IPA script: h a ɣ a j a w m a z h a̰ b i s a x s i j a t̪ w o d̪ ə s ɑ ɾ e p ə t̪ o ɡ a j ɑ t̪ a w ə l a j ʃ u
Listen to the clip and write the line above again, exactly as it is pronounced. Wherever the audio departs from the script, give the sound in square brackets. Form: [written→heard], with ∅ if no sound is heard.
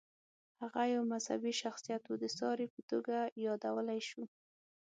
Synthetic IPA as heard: h a ɣ a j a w m a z h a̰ b i [s→ʃ] a x s i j a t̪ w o d̪ ə s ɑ ɾ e p ə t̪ o ɡ a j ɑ [t̪→d̪] a w ə l a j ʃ u

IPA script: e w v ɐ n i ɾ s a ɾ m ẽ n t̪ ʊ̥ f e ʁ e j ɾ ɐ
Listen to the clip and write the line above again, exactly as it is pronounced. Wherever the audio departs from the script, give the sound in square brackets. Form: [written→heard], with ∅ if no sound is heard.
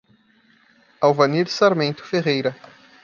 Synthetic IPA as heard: [e→a] w v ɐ n i ɾ s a ɾ m ẽ n t̪ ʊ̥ f e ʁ e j ɾ ɐ

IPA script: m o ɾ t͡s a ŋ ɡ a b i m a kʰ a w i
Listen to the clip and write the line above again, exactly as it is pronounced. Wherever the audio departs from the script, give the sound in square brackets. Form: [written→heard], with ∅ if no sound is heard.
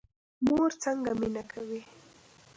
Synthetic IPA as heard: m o ɾ t͡s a ŋ ɡ a [b→m] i [m→n] a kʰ a w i

